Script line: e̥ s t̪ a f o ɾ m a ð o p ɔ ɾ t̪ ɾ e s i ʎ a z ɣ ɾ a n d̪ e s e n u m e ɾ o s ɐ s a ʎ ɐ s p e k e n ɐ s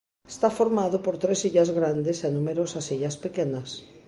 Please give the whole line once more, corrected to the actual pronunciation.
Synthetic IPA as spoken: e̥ s t̪ a f o ɾ m a ð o p o ɾ t̪ ɾ e s i ʎ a z ɣ ɾ a n d̪ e s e n u m e ɾ o s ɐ s i ʎ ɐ s p e k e n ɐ s